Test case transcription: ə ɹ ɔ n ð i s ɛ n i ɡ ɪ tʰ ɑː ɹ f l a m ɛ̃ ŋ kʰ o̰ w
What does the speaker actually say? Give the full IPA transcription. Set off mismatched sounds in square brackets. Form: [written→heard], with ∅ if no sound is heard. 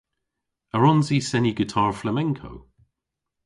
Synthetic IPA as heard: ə ɹ ɔ n [ð→z] i s ɛ n i ɡ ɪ tʰ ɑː ɹ f l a m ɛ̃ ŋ kʰ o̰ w